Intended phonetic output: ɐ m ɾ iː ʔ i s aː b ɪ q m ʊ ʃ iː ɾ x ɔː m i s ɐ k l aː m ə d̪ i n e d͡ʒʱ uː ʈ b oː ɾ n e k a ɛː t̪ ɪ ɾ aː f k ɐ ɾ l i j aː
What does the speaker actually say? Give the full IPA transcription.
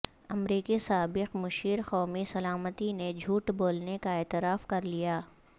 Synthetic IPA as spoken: ɐ m ɾ iː k i s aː b ɪ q m ʊ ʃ iː ɾ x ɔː m i s ɐ l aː m ə t̪ i n e d͡ʒʱ uː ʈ b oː l n e k a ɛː t̪ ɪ ɾ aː f k ɐ ɾ l i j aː